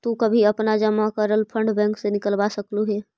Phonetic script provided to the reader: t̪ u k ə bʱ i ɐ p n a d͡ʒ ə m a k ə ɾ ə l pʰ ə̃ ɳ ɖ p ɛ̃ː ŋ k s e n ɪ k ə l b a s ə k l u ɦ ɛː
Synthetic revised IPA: t̪ u k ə bʱ i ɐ p n a d͡ʒ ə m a k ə ɾ ə l pʰ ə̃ ɳ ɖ b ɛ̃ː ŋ k s e n ɪ k ə l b a s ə k l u ɦ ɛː